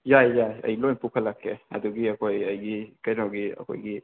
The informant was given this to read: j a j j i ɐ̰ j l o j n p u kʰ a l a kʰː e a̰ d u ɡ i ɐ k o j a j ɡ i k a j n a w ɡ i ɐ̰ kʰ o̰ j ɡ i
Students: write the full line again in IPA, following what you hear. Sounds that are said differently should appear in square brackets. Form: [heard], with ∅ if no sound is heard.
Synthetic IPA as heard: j a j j [a] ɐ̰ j l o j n p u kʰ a l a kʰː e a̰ d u ɡ i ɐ k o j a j ɡ i k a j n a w ɡ i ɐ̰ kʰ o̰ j ɡ i